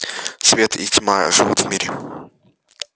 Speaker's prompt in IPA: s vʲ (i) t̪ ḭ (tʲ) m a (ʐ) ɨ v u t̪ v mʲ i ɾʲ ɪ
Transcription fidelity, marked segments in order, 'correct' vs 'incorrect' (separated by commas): incorrect, correct, correct